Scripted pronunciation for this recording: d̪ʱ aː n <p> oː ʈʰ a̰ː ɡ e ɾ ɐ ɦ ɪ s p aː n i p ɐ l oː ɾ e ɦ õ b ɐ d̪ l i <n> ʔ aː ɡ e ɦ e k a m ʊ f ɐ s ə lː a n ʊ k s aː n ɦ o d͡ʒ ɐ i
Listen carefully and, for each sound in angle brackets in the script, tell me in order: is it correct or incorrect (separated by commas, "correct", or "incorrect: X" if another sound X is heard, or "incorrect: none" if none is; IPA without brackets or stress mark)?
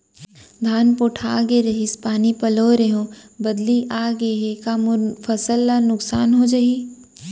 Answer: correct, incorrect: none